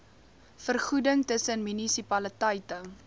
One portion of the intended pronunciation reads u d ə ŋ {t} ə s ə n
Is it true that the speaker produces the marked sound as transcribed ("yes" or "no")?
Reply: yes